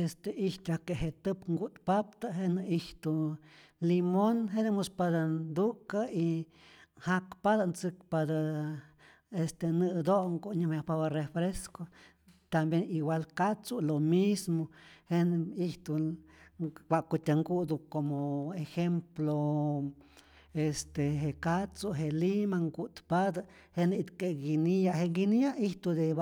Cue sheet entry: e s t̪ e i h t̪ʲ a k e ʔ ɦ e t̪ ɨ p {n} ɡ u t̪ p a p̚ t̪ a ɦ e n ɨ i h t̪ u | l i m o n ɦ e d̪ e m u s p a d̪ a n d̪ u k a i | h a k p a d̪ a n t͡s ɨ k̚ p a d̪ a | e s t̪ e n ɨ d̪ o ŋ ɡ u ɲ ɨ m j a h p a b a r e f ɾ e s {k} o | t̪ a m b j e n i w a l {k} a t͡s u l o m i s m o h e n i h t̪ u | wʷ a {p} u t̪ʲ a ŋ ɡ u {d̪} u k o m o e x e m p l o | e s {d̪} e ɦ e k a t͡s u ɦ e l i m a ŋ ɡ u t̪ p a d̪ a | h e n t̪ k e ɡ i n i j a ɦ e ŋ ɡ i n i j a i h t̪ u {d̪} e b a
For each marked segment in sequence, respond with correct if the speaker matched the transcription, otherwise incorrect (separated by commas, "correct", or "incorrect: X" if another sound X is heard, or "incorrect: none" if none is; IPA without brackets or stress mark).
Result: incorrect: ŋ, correct, correct, incorrect: k, correct, incorrect: t̪, correct